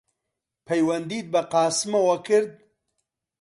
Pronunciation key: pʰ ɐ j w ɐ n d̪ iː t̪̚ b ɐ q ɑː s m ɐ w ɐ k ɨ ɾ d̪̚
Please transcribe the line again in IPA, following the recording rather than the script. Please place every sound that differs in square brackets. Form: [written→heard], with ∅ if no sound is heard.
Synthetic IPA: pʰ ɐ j w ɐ n d̪ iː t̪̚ b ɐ q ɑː s m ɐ w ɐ k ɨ ɾ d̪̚